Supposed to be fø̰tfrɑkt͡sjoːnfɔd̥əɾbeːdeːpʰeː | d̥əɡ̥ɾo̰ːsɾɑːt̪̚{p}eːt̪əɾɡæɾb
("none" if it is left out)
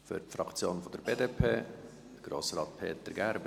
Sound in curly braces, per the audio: pʰ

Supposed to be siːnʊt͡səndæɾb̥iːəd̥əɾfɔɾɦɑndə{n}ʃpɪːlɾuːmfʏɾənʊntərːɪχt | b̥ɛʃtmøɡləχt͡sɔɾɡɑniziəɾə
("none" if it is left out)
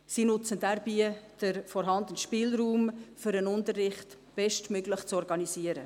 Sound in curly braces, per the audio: n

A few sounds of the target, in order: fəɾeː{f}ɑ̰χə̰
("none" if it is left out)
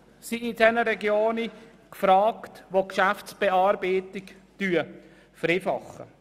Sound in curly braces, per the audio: f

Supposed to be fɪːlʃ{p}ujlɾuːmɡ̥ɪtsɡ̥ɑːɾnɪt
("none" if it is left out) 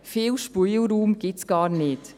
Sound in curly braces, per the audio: p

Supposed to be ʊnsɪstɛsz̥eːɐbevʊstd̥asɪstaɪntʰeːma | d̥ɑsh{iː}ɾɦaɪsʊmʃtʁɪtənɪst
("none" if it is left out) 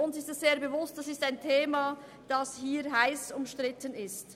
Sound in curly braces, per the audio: iː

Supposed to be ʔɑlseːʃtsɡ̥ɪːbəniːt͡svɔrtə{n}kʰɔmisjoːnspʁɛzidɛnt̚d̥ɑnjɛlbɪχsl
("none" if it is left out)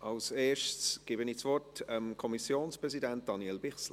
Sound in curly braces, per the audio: m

